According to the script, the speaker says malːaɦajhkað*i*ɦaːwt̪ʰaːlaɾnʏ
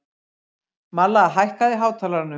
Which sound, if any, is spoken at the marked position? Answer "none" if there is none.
ɪ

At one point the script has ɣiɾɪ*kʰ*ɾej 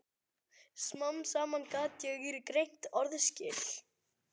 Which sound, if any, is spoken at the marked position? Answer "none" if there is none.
k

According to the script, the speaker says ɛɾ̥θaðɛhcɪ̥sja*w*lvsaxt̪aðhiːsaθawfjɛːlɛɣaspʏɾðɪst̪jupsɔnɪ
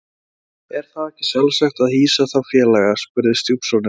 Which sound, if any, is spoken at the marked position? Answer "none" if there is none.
none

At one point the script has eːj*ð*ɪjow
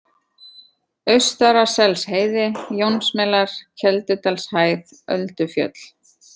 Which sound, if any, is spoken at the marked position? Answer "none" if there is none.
ð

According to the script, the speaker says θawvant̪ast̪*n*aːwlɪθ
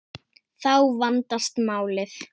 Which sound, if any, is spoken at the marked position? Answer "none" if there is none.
m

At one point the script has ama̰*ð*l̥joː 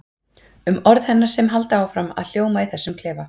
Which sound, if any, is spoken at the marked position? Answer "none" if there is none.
ð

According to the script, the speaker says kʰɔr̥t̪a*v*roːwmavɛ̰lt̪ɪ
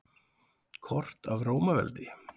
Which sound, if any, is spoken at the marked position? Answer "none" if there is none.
v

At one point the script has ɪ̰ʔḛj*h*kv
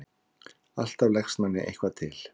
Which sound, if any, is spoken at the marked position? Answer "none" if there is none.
h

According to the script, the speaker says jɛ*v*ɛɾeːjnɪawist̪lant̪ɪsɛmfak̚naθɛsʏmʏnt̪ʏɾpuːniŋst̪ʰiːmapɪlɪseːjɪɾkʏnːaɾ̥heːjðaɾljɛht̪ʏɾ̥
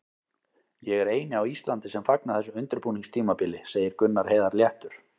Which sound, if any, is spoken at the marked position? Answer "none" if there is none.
ɣ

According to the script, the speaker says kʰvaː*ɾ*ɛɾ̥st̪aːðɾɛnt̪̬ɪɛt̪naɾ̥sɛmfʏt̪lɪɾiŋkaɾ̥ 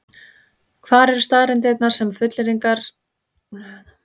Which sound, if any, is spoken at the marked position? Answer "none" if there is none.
ɾ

